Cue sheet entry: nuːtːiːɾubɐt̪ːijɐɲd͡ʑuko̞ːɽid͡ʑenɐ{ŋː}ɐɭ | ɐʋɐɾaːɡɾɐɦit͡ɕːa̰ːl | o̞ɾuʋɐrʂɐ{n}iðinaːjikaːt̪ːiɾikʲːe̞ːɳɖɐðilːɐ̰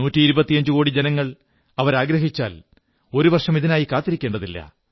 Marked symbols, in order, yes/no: yes, no

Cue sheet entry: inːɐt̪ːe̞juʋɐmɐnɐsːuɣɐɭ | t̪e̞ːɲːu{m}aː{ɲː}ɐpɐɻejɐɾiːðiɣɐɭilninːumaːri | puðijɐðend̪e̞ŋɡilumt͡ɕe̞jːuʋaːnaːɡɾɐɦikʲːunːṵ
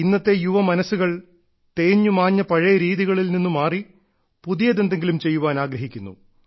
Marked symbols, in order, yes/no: yes, yes

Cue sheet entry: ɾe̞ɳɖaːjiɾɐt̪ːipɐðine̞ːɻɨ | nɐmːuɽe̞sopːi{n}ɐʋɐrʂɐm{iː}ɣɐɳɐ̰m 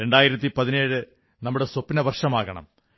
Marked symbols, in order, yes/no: yes, no

